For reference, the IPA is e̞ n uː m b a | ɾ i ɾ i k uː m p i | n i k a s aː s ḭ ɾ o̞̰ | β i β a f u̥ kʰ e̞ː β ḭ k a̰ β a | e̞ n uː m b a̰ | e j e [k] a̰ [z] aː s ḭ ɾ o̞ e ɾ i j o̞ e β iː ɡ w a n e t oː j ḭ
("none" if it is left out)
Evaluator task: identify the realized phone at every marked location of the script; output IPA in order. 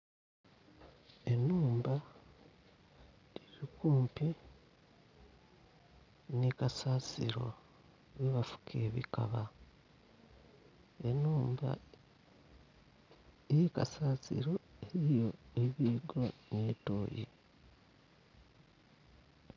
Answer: k, s

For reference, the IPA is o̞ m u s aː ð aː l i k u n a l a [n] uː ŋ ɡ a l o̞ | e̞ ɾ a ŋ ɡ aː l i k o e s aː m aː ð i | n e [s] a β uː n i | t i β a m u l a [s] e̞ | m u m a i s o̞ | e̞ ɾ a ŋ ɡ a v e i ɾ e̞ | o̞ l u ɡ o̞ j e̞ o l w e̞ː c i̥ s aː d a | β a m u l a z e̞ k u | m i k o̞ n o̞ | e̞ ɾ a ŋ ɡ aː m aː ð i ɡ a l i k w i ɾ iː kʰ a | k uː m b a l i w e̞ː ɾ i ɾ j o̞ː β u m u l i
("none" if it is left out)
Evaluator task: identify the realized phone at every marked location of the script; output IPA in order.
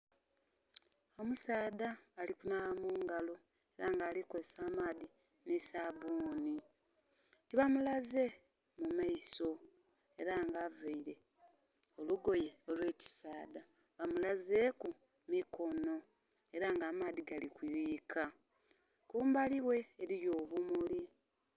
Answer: m, s, z

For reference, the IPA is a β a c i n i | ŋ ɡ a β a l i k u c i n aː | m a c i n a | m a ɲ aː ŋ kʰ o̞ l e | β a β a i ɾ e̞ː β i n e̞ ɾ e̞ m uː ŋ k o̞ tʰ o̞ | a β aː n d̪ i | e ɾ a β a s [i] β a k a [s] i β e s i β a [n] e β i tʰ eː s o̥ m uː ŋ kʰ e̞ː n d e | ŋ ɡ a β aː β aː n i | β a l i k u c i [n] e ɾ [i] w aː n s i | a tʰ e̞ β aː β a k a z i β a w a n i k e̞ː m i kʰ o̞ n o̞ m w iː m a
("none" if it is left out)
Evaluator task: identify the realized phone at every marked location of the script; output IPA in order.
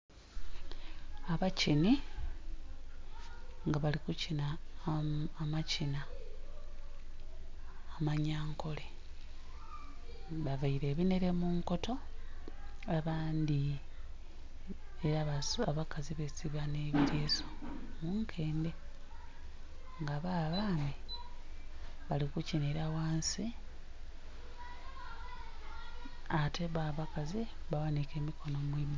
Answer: a, z, n, n, a

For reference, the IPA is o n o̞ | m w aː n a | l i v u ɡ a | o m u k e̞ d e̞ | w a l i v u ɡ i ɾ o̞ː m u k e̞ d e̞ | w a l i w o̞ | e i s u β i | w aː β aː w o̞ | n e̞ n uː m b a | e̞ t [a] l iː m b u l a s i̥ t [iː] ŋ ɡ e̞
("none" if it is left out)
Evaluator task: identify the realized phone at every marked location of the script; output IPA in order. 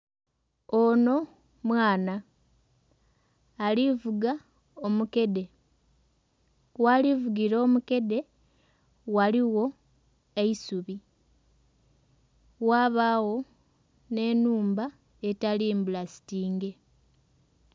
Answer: a, iː

